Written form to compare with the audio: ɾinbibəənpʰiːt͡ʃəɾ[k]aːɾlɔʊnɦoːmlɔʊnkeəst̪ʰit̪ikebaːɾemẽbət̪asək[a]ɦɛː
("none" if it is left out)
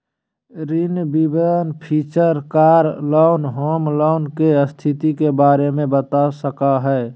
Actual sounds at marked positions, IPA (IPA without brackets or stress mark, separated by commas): k, a